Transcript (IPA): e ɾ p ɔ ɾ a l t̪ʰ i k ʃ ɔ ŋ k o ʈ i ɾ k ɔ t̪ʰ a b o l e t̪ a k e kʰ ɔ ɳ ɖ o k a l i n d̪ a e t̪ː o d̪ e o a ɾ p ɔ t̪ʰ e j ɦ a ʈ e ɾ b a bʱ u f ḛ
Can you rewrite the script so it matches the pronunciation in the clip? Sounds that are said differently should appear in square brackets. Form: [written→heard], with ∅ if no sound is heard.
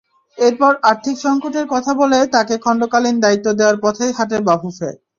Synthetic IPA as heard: e ɾ p ɔ ɾ a [l→ɾ] t̪ʰ i k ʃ ɔ ŋ k o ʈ [i→e] ɾ k ɔ t̪ʰ a b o l e t̪ a k e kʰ ɔ ɳ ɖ o k a l i n d̪ a [e→i] t̪ː o d̪ e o a ɾ p ɔ t̪ʰ e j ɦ a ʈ e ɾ b a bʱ u f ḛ